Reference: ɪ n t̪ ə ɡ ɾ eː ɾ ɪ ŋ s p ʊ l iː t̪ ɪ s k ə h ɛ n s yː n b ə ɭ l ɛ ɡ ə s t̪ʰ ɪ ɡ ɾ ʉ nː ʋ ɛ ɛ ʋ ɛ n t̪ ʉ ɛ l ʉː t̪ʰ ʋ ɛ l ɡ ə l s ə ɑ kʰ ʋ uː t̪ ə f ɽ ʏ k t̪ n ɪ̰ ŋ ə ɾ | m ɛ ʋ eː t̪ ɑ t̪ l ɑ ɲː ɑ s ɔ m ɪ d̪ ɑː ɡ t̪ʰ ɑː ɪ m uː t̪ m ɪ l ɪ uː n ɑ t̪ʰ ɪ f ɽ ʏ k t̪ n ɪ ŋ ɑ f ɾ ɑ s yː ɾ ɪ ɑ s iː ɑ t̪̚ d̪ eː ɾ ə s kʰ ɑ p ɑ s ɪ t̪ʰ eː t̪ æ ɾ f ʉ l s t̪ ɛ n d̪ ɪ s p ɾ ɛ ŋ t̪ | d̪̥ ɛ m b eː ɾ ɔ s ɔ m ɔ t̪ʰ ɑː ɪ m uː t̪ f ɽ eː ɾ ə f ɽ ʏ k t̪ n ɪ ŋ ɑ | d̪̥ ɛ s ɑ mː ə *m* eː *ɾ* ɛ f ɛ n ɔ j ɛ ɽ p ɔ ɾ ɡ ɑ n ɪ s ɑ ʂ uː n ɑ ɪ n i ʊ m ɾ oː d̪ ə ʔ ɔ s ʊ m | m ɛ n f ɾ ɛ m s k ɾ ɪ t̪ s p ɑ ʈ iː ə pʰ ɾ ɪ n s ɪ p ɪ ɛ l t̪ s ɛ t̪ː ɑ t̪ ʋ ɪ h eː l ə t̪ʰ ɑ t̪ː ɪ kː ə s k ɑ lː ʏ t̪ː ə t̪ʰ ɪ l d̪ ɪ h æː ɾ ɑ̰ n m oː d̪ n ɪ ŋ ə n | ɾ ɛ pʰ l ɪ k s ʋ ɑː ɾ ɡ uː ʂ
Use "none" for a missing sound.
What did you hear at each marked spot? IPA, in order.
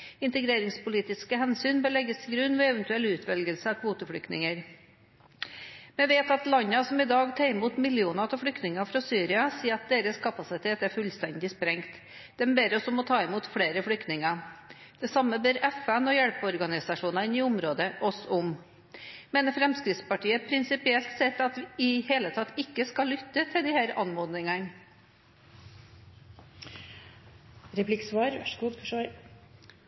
b, ɾ

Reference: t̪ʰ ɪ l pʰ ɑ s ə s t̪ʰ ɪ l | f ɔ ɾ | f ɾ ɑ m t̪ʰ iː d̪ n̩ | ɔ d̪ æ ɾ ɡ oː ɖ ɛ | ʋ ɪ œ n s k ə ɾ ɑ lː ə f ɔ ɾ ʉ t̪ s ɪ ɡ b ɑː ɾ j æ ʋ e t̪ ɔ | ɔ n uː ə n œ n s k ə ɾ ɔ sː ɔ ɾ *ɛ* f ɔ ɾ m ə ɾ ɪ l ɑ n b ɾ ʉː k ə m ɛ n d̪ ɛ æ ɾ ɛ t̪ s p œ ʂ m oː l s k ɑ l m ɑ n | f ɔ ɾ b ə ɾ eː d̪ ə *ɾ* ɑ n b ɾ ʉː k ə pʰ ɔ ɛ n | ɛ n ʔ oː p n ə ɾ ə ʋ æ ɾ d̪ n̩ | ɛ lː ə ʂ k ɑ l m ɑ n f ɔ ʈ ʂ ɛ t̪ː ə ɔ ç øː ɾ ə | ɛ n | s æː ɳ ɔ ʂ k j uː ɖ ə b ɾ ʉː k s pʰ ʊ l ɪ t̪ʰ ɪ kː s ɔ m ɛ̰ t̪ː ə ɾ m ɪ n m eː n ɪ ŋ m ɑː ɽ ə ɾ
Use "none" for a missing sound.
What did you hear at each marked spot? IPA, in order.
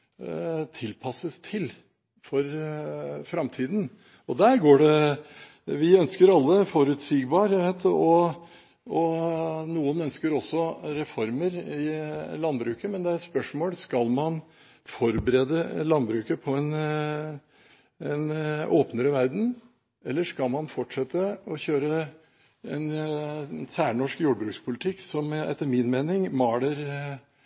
ɛ, l

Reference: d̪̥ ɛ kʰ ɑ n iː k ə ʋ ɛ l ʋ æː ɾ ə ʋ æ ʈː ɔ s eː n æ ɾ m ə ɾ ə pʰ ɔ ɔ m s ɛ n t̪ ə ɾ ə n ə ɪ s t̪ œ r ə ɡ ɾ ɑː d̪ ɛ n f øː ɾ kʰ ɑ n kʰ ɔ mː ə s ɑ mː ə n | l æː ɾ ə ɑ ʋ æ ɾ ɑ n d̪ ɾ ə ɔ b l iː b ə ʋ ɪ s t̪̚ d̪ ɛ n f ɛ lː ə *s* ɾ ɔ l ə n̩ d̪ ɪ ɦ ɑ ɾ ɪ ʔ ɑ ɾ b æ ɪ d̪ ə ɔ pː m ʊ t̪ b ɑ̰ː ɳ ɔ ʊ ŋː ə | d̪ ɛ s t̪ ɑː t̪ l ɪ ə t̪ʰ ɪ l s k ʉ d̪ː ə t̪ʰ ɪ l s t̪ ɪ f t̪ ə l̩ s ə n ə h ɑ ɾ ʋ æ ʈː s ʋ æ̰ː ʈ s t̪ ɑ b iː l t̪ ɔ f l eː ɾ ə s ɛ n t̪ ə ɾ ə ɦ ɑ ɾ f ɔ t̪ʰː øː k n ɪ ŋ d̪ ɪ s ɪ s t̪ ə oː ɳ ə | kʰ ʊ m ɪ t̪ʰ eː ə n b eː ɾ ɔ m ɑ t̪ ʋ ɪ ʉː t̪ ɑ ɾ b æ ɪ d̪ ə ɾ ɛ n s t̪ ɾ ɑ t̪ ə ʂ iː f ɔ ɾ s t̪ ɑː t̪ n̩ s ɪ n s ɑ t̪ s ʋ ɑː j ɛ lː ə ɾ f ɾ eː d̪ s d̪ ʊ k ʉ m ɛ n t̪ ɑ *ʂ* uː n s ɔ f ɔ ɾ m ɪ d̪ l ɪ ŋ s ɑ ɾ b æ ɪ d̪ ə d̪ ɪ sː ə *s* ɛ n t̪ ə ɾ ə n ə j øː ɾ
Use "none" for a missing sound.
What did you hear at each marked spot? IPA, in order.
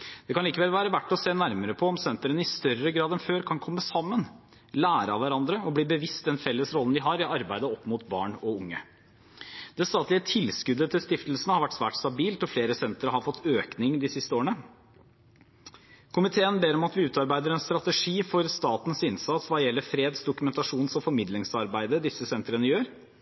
s, ʂ, s

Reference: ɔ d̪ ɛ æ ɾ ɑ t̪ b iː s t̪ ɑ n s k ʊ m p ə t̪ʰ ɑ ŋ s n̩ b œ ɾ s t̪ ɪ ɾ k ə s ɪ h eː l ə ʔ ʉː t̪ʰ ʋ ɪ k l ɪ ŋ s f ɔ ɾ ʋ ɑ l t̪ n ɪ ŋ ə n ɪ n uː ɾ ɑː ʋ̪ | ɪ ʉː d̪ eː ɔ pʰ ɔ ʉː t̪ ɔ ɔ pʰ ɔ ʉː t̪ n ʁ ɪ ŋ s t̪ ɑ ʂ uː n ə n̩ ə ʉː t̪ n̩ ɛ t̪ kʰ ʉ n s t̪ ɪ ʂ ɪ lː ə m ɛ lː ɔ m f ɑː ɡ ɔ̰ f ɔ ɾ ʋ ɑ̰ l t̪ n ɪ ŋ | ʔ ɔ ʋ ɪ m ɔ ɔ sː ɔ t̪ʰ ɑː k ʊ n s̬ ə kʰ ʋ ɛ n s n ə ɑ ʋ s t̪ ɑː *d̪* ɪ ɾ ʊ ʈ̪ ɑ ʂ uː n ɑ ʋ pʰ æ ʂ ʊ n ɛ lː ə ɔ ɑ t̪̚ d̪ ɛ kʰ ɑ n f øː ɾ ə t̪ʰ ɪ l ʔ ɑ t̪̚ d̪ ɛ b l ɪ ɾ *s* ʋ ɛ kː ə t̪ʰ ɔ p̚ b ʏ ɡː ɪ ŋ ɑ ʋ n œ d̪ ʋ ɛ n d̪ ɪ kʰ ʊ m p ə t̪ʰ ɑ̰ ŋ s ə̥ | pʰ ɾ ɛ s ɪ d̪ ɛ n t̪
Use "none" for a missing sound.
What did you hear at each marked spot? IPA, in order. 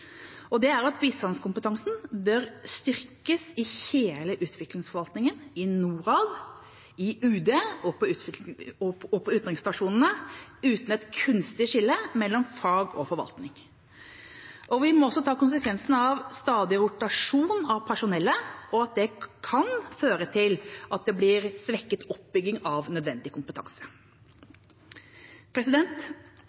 d̪, s

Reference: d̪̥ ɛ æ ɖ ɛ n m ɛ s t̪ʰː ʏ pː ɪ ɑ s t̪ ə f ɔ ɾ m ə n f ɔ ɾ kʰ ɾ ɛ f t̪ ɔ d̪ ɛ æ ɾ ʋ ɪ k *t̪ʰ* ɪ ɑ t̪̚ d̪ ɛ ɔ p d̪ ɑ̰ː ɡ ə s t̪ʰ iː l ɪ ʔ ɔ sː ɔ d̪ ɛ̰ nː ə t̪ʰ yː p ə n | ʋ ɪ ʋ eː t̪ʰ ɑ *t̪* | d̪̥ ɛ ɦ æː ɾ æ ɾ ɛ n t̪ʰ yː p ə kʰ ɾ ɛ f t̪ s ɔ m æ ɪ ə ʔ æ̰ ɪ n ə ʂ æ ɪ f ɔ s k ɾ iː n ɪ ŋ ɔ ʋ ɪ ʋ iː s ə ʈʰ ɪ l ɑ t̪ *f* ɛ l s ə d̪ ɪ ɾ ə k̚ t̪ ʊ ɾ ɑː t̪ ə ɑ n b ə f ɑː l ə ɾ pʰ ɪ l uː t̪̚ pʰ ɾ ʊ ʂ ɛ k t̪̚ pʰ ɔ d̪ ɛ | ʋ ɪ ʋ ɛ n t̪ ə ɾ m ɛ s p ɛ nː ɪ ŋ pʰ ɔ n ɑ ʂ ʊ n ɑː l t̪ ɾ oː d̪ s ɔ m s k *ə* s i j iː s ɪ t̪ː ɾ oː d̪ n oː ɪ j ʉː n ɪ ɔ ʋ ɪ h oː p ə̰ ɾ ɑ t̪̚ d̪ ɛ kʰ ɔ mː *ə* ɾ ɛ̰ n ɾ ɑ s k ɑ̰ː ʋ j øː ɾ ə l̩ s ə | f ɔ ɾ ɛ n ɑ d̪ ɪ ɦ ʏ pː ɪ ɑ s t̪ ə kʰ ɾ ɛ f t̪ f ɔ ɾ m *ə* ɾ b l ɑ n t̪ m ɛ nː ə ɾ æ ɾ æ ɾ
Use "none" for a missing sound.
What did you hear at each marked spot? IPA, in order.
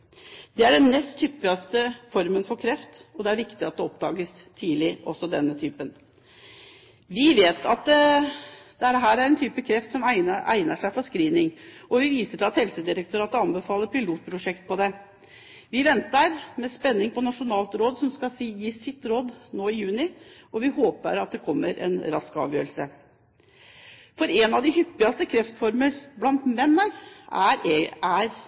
t̪, t̪, h, ɑ, ə, ə

